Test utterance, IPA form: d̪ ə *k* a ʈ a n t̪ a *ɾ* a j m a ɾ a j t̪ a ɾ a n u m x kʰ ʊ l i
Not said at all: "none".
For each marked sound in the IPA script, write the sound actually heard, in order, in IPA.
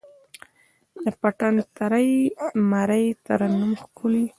p, ɾ

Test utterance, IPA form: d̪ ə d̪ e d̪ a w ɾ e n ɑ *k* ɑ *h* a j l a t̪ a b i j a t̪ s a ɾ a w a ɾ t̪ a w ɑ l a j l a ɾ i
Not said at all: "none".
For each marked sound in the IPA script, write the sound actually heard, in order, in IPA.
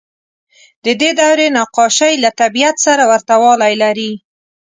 q, ʃ

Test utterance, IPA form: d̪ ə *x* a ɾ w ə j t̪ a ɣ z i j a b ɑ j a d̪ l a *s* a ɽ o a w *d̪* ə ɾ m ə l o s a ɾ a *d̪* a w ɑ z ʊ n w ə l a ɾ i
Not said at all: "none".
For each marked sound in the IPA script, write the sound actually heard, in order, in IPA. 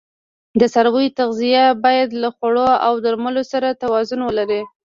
s, x, d̪, t̪

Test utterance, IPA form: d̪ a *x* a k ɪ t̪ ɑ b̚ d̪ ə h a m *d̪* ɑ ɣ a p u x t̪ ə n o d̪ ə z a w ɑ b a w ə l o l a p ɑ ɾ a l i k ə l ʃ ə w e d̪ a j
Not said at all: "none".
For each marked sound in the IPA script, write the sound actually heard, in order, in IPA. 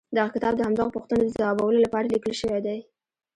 ɣ, d̪

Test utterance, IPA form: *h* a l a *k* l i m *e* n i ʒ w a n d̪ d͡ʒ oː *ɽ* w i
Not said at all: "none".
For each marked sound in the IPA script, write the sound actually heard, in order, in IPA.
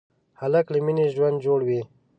h, k, i, ɽ

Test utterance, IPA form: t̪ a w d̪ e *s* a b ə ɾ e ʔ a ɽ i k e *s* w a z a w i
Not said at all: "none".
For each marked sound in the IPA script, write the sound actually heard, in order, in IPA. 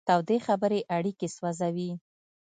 x, s

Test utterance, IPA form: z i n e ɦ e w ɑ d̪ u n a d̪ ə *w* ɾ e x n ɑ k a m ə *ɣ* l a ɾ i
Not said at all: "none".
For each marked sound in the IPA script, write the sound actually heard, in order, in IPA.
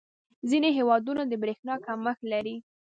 b, x

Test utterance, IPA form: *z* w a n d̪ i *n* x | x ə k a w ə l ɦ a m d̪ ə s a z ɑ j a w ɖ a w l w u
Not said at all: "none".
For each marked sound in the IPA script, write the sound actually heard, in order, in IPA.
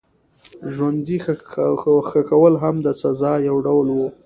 ʒ, none

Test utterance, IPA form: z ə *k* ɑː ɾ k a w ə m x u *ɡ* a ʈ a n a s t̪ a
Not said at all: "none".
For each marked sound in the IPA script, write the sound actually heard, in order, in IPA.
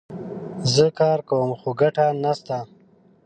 k, ɡ

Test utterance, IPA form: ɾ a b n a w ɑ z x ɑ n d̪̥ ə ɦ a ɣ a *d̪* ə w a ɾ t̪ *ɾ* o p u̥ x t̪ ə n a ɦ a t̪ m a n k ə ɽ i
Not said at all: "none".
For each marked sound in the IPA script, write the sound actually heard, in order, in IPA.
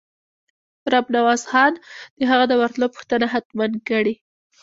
d̪, l

